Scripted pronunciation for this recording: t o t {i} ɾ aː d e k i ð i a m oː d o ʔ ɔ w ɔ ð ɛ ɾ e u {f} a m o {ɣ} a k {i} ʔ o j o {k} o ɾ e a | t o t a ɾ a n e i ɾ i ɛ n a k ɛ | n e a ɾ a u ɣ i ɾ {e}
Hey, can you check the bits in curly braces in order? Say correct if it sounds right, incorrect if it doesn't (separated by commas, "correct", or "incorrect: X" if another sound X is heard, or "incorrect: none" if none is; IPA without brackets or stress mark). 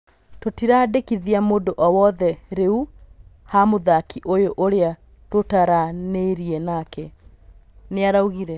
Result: correct, incorrect: h, incorrect: ð, correct, incorrect: ʔ, incorrect: ɛ